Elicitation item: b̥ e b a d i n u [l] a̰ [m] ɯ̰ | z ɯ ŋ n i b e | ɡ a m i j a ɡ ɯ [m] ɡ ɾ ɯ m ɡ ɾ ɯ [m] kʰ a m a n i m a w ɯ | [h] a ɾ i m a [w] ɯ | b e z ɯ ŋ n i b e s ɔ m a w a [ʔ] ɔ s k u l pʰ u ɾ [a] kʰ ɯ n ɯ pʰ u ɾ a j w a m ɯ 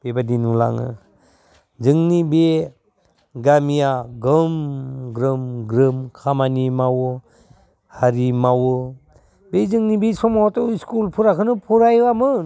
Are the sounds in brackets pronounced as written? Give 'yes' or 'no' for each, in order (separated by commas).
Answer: yes, no, yes, yes, yes, yes, no, yes